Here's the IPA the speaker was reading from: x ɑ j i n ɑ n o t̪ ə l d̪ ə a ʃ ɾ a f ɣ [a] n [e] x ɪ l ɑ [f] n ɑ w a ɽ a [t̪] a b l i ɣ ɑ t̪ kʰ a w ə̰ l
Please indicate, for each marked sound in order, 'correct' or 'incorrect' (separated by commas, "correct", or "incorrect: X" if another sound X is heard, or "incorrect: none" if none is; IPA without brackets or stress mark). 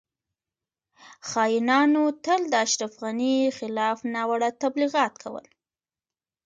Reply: correct, incorrect: i, correct, correct